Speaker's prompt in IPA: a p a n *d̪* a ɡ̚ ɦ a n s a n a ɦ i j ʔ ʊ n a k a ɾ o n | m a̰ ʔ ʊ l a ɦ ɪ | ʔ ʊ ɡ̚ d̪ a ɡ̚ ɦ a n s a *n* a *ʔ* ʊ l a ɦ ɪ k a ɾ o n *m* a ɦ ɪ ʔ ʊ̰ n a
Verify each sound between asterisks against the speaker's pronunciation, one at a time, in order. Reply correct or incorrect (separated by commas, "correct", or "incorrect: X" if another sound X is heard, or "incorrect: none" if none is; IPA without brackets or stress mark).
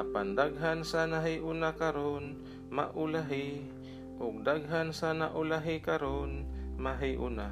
correct, correct, correct, correct